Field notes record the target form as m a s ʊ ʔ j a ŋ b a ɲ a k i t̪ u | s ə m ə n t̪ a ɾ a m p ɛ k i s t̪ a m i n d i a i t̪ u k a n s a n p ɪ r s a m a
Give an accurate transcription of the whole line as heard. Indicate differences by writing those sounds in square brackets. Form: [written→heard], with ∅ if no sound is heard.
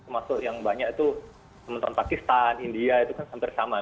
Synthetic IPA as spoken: m a s ʊ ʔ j a ŋ b a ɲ a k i t̪ u | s ə m ə n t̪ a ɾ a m p [ɛ→a] k i s t̪ a [m→n] i n d i a i t̪ u k a n s a [n→m] p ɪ r s a m a